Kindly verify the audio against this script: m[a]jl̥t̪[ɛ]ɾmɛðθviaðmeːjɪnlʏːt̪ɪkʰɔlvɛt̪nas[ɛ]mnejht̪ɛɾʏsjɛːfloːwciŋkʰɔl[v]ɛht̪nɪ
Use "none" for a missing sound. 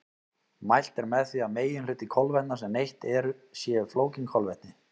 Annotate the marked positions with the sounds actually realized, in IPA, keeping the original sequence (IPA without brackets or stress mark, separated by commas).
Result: a, ɛ, ɛ, v